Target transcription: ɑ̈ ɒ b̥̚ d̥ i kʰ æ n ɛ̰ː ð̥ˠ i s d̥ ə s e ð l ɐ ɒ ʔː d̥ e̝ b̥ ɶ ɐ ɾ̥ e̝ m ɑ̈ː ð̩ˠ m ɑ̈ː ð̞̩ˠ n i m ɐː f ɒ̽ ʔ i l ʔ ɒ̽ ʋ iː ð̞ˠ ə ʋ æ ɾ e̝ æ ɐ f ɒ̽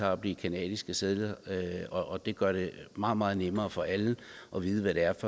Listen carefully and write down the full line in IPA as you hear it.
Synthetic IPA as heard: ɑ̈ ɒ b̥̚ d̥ i kʰ æ n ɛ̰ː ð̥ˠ i s ɡ̥ ə s e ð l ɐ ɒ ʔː d̥ e̝ ɡ̥ ɶ ɐ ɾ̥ e̝ m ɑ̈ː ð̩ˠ m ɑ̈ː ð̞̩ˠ n e m ɐː f ɒ̽ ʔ æ l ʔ ɒ̽ ʋ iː ð̞ˠ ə ʋ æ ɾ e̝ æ ɐ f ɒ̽